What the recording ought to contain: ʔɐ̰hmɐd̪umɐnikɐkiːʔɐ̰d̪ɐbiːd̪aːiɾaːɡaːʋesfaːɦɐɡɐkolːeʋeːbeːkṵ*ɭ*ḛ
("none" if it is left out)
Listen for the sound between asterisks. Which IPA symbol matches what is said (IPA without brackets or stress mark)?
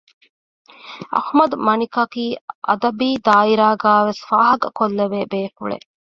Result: ɭ